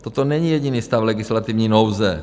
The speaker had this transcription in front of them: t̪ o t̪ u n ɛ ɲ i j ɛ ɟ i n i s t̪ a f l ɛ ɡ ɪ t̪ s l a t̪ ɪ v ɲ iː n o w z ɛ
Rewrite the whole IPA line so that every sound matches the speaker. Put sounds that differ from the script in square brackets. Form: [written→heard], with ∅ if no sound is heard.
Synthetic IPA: t̪ o t̪ [u→o] n ɛ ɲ i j ɛ ɟ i n i s t̪ a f l ɛ ɡ ɪ [t̪→∅] s l a t̪ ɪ v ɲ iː n o w z ɛ